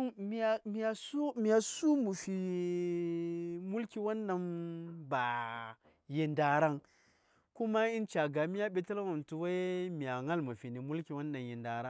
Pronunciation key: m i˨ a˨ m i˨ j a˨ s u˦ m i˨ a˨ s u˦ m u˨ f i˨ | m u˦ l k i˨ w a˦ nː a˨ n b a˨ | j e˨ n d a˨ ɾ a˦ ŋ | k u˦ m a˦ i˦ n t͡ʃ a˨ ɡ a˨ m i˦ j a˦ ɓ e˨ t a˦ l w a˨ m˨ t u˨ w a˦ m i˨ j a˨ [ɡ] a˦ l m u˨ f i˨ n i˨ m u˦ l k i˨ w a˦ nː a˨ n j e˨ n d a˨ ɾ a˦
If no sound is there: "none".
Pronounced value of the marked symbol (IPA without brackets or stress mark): ŋ